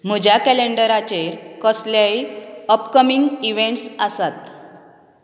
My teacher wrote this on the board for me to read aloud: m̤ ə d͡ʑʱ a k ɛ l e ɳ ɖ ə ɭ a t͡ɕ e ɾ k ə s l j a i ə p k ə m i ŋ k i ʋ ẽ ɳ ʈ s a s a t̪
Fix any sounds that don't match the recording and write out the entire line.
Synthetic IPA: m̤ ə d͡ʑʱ a k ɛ l e ɳ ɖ ə ɾ a t͡ɕ e ɾ k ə s l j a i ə p k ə m i ŋ ɡ i ʋ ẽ ɳ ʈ s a s a t̪